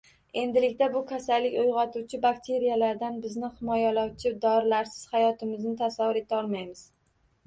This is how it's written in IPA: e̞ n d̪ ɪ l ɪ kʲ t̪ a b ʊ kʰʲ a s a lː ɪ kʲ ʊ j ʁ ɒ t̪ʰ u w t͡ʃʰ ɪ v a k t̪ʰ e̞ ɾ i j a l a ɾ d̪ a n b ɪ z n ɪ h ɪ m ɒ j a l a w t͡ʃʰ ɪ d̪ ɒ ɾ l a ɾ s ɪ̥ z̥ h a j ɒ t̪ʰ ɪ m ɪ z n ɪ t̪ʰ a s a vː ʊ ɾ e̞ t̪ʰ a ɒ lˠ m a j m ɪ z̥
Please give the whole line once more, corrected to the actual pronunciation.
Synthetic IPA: e̞ n d̪ ɪ l ɪ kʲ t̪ a b ʊ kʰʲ a s a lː ɪ kʲ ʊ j ʁ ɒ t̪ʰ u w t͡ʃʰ ɪ b a k t̪ʰ e̞ ɾ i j a l a ɾ d̪ a n b ɪ z n ɪ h ɪ m ɒ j a l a w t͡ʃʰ ɪ d̪ ɒ ɾ l a ɾ s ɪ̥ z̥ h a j ɒ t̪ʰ ɪ m ɪ z n ɪ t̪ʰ a s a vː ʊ ɾ e̞ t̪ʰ a ɒ lˠ m a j m ɪ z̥